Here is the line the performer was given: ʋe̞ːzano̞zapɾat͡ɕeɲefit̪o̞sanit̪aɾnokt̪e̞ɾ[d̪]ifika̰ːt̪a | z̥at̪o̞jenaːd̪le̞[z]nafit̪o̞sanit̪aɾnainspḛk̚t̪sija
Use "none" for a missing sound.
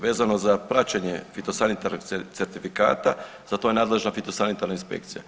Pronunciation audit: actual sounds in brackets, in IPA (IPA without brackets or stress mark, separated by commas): t̪, ʒ